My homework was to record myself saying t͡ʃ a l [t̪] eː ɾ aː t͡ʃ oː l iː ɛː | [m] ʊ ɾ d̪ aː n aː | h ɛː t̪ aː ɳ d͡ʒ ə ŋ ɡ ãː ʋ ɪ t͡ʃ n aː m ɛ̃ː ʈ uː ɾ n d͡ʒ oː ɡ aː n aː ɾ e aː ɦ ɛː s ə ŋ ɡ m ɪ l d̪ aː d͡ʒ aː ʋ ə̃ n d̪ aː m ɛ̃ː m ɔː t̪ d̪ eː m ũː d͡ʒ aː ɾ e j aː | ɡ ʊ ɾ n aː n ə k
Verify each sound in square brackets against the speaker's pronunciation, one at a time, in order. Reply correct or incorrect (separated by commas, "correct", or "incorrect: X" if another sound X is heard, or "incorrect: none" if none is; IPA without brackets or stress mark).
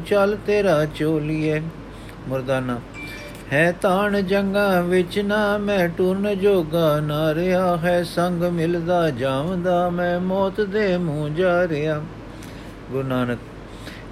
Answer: correct, correct